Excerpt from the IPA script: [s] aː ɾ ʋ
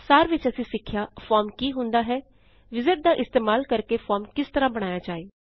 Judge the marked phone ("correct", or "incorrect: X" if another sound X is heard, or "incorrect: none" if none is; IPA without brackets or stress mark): correct